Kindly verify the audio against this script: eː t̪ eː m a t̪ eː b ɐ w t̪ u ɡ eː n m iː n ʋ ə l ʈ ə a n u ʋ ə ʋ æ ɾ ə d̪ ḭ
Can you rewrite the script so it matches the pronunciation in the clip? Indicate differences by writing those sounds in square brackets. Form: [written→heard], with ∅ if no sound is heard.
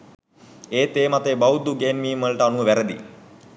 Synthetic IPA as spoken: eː t̪ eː m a t̪ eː b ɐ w [t̪→d̪] u ɡ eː n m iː [n→m] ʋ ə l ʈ ə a n u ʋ ə ʋ æ ɾ ə d̪ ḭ